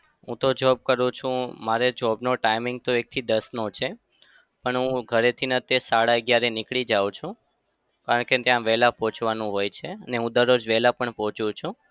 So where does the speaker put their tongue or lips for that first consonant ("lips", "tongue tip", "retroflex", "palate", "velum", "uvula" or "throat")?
throat